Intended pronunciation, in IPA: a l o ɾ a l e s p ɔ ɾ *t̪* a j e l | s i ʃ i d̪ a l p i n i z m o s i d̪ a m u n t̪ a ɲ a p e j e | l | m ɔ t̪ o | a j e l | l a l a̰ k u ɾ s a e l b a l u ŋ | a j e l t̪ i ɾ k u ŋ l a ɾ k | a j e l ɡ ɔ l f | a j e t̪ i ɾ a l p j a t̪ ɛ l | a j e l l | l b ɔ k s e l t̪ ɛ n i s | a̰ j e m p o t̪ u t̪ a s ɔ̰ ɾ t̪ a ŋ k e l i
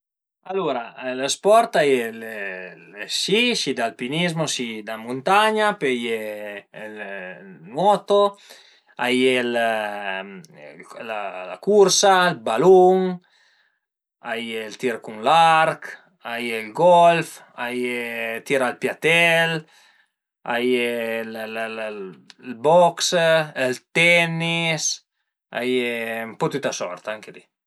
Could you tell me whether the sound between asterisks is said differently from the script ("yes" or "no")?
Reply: no